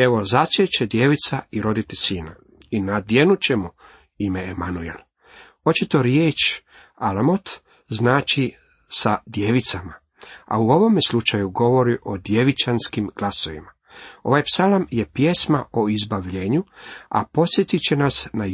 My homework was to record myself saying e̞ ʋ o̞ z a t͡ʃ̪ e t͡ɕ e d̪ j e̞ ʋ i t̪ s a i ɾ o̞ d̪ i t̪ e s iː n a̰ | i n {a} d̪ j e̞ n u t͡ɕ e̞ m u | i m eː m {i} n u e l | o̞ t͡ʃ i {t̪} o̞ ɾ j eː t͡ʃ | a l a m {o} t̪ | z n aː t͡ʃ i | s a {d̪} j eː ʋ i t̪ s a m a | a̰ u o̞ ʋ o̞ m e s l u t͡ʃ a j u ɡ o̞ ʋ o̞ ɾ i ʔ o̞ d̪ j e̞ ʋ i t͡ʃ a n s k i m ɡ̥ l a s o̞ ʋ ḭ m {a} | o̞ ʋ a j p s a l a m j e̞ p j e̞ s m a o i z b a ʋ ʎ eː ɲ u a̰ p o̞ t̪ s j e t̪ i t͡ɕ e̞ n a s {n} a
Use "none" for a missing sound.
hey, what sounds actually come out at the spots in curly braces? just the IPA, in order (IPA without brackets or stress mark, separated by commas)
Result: a, a, t̪, o, d̪, a, n